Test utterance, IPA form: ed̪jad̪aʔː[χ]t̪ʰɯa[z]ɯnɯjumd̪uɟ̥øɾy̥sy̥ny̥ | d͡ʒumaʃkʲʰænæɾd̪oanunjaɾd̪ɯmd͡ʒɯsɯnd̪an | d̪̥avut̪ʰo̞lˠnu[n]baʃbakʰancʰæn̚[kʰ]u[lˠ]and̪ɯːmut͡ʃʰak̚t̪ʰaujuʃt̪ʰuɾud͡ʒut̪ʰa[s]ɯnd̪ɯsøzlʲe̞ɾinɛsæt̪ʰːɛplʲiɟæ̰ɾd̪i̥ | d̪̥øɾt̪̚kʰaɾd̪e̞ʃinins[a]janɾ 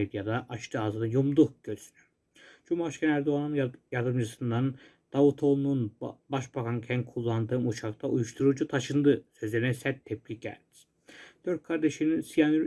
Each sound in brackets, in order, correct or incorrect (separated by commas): incorrect, correct, correct, correct, incorrect, incorrect, incorrect